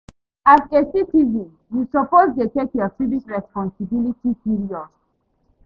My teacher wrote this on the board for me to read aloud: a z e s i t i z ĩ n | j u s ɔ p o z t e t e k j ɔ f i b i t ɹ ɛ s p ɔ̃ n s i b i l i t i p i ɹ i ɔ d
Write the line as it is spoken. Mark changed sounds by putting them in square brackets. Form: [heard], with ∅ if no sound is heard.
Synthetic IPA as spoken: a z e s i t i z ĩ n | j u s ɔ p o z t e t e k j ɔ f i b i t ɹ ɛ s p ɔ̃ n s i b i l i t i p i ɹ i ɔ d